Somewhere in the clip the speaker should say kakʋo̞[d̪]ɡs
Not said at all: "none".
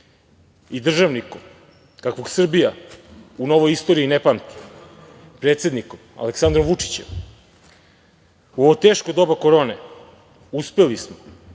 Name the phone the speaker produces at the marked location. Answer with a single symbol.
none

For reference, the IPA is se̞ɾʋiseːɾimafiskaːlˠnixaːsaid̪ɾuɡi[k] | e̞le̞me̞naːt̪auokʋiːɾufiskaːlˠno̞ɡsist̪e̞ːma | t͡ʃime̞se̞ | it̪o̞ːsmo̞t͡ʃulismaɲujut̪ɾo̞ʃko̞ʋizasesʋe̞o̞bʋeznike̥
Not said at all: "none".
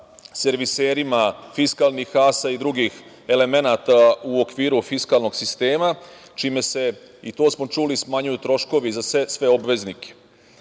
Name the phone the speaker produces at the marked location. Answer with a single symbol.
x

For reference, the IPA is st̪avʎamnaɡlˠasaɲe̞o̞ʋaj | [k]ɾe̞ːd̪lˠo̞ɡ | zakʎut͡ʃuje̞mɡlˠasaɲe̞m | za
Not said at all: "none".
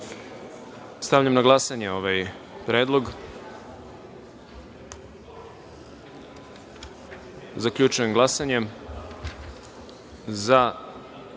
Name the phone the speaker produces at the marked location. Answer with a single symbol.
p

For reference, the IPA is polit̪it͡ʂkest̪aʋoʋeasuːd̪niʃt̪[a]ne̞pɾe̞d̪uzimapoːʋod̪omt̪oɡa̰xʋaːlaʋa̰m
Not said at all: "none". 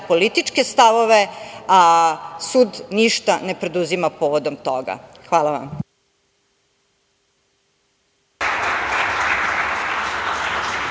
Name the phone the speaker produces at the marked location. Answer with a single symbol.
a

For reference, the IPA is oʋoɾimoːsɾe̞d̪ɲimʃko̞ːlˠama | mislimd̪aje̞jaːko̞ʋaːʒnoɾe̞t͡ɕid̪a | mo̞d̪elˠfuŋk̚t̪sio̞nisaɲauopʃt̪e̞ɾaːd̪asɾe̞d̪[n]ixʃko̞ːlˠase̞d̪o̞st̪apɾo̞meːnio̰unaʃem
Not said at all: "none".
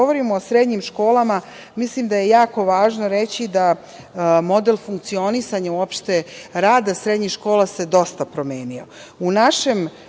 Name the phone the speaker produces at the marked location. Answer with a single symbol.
ɲ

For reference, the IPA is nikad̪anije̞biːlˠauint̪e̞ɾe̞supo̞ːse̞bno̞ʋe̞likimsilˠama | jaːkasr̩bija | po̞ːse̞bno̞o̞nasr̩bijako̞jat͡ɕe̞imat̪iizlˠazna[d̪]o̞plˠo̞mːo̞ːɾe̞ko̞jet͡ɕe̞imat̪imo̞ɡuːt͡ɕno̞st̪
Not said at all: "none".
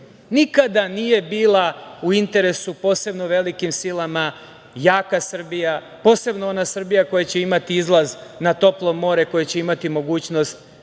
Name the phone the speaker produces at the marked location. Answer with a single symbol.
t̪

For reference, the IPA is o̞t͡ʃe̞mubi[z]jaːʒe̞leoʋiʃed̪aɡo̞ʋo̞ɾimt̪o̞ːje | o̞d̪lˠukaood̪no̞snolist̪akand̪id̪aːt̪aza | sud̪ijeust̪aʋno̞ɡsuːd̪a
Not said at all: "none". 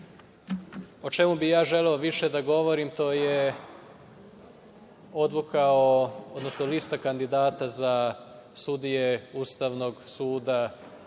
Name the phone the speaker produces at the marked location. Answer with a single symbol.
none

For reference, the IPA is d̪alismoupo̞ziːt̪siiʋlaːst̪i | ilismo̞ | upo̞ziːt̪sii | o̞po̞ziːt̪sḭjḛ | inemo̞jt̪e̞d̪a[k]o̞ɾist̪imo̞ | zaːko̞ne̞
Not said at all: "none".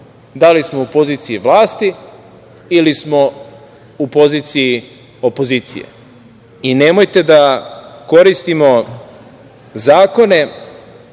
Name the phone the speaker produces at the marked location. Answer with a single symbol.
k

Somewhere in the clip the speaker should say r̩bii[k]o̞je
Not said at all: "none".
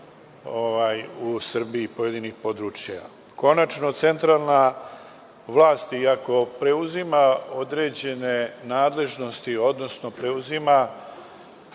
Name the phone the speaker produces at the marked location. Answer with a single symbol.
p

